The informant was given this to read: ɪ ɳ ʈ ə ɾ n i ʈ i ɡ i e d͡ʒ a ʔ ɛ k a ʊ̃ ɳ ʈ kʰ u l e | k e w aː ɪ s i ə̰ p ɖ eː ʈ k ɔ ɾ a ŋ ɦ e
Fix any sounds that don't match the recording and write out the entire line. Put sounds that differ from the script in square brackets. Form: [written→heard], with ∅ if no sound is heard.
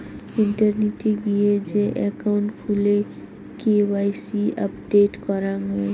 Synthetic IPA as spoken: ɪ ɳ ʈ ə ɾ n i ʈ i ɡ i e d͡ʒ [a→e] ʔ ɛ k a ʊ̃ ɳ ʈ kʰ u l e | k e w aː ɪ s i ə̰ p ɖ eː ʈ k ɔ ɾ a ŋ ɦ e